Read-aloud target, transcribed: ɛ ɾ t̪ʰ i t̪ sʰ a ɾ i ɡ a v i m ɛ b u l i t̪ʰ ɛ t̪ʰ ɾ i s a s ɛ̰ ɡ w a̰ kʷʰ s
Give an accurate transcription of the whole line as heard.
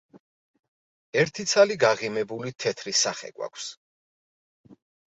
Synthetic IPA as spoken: ɛ ɾ t̪ʰ i t̪ sʰ a l i ɡ a ʁ i m ɛ b u l i t̪ʰ ɛ t̪ʰ ɾ i s a χ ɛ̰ ɡ w a̰ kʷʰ s